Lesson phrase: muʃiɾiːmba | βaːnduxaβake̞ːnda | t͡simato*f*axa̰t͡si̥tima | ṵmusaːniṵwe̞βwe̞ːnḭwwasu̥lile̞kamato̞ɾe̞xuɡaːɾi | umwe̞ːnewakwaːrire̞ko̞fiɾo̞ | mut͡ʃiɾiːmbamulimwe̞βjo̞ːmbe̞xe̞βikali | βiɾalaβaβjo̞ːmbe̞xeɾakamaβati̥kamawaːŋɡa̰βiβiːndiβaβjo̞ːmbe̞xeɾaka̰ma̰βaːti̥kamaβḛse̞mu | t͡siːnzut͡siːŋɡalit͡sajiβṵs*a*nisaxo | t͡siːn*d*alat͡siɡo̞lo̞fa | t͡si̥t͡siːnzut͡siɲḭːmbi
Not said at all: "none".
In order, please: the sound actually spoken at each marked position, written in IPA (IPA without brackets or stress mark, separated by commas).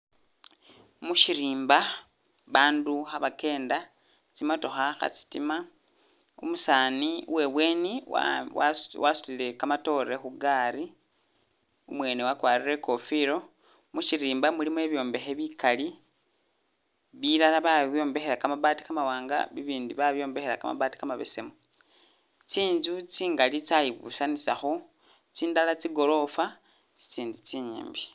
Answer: x, a, d